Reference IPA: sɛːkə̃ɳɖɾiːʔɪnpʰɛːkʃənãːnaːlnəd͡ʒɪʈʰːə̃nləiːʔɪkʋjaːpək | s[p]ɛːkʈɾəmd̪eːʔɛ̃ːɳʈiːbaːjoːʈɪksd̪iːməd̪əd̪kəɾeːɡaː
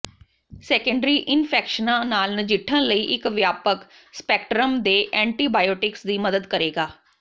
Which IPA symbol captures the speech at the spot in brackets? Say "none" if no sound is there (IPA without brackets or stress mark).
p